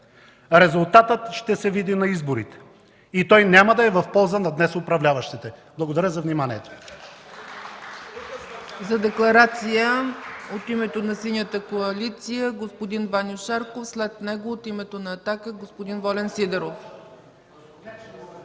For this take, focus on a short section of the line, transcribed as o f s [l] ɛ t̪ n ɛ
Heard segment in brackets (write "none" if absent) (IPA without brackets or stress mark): l